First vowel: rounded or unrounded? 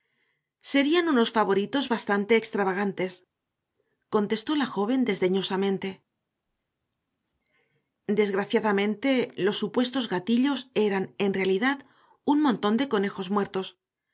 unrounded